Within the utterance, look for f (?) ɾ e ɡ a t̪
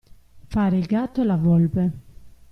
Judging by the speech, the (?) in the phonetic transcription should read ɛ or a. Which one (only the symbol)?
a